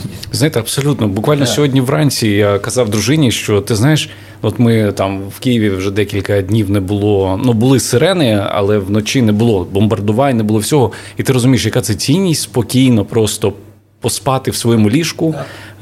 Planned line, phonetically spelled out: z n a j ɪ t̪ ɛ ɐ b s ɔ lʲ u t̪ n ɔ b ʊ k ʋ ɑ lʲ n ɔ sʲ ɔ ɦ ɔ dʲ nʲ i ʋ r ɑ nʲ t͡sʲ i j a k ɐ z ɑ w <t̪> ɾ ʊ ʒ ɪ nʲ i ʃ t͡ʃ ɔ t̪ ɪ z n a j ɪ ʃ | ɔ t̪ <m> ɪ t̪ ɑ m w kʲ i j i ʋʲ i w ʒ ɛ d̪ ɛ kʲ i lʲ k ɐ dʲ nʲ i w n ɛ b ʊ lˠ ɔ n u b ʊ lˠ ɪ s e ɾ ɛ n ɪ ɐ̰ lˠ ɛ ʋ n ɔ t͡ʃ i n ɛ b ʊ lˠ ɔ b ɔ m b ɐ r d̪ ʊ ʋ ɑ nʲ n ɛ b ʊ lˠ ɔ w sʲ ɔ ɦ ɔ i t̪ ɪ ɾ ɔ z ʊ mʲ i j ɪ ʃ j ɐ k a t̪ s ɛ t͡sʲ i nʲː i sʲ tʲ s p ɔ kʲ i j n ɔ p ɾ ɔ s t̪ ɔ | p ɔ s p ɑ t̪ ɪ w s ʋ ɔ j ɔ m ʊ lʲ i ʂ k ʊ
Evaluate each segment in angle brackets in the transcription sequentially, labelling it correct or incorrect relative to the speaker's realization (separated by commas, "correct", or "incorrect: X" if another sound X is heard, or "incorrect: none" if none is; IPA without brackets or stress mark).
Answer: incorrect: d̪, correct